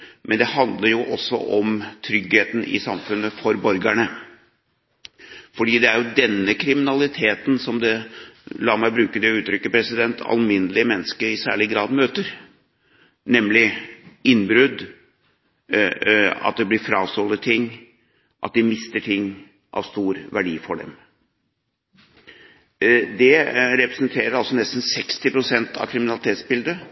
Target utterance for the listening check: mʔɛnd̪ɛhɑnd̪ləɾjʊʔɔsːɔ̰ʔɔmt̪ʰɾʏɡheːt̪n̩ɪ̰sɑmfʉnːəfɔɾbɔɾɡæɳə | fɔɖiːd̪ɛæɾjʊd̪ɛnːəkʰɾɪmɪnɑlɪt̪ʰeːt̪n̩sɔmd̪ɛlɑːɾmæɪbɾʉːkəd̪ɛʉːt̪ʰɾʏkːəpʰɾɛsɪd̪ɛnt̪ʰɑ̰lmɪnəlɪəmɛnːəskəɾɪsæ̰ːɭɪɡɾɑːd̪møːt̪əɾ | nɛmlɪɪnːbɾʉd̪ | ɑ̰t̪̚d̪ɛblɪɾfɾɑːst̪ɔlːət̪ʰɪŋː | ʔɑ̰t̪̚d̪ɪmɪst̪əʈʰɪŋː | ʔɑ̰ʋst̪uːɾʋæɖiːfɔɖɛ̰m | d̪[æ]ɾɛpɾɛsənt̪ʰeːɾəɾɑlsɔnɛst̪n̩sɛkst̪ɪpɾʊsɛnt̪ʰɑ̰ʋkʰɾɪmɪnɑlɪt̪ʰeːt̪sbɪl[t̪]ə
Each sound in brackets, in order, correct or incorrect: incorrect, incorrect

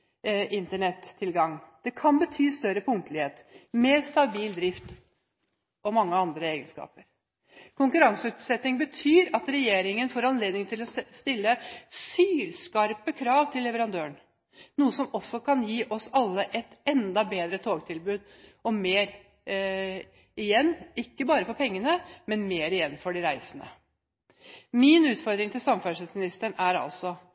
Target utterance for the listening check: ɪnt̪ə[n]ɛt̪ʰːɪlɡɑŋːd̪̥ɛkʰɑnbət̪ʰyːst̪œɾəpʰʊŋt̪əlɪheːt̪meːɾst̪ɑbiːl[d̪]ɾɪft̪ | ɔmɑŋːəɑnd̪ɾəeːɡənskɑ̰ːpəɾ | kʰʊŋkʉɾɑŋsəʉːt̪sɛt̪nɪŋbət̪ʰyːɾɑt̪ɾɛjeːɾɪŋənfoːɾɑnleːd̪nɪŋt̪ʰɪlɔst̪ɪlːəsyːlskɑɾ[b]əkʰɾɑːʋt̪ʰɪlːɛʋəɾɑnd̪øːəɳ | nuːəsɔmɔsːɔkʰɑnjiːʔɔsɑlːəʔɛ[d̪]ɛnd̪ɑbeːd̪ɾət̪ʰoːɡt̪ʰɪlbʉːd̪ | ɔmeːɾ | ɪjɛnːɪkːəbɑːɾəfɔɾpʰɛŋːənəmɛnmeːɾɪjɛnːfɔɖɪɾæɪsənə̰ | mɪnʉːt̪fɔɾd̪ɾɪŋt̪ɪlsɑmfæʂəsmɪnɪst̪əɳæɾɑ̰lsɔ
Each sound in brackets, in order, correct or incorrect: incorrect, correct, incorrect, incorrect

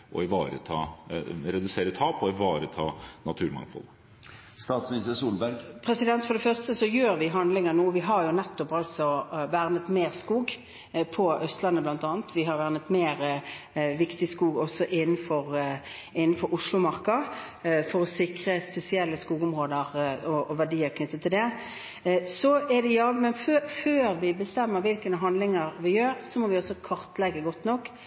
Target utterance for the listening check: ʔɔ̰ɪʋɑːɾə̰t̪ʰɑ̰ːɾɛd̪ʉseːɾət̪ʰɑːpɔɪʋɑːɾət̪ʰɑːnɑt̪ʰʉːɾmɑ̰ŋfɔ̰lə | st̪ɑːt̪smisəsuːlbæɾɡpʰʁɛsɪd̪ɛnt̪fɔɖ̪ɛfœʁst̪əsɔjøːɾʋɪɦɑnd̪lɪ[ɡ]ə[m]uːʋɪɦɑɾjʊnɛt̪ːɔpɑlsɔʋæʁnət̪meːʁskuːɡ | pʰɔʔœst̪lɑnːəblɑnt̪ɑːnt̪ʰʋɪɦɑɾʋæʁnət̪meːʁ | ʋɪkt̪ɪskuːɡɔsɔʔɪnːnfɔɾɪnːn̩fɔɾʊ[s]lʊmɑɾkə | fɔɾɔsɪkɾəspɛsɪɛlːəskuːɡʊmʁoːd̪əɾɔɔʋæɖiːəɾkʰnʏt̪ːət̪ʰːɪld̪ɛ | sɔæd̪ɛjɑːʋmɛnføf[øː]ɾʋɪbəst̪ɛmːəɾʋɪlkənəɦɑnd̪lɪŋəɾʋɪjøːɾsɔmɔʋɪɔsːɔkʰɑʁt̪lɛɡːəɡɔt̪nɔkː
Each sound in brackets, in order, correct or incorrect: incorrect, incorrect, incorrect, correct

